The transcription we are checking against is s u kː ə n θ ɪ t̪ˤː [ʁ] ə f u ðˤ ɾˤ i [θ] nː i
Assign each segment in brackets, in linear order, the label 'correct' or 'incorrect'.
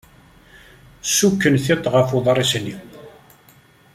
correct, incorrect: s

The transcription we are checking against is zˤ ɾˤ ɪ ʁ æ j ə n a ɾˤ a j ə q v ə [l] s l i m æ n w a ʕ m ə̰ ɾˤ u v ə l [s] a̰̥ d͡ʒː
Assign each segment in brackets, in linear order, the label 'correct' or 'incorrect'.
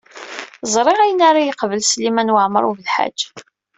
correct, incorrect: ħ

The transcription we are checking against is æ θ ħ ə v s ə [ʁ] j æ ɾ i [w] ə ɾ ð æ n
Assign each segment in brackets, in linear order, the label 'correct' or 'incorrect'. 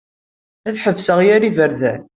correct, incorrect: v

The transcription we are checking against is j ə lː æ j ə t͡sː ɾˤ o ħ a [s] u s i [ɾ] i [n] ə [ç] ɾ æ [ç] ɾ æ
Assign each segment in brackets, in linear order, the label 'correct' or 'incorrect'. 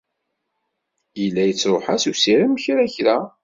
correct, correct, incorrect: m, correct, correct

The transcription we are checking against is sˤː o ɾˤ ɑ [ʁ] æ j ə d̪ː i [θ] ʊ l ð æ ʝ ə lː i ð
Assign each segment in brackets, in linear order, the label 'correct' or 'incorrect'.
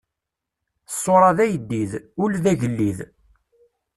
incorrect: ð, incorrect: ð

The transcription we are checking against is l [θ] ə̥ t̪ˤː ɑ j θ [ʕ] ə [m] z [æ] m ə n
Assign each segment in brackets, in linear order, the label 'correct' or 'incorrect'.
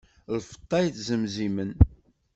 incorrect: f, incorrect: z, correct, incorrect: i

